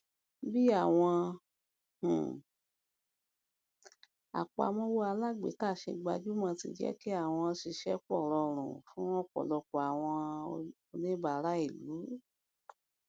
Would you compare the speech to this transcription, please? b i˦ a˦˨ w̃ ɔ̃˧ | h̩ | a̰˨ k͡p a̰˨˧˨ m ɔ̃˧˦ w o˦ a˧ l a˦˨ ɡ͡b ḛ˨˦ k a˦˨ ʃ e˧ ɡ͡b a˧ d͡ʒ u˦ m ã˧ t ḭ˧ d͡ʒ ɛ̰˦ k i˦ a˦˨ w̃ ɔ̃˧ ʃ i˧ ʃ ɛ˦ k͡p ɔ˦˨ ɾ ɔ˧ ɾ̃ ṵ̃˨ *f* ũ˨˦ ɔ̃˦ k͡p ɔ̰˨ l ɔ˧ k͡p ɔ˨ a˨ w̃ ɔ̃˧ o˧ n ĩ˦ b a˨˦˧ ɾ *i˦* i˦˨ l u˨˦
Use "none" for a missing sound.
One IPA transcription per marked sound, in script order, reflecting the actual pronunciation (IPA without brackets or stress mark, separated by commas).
f, a˦